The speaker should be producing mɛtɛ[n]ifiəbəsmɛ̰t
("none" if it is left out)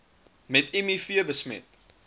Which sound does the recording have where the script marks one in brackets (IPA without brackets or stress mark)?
m